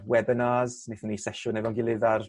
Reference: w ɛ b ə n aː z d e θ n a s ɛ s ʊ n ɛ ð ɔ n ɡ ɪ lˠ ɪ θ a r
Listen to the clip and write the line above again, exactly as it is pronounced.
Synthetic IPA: w ɛ b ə n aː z n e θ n i s ɛ ʃ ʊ n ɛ v ɔ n ɡ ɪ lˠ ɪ ð a r

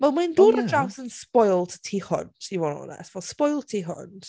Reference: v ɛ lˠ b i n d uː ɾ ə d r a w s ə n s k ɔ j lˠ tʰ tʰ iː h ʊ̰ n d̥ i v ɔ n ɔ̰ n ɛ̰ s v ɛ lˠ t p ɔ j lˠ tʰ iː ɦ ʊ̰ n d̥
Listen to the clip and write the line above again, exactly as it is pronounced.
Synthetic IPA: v ɛ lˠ m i n d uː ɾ ə d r a w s ə n s p ɔ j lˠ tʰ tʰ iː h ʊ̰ n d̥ i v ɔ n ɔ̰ n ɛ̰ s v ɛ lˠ s p ɔ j lˠ tʰ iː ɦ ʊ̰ n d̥

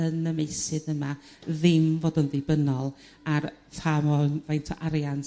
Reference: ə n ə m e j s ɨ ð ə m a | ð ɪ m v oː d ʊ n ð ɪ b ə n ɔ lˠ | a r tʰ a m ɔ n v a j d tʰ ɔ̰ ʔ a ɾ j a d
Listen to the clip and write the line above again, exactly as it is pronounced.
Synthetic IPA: ə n ə m e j s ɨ ð ə m a | ð ɪ m v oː d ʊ n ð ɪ b ə n ɔ lˠ | a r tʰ a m ɔ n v a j n tʰ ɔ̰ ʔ a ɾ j a n

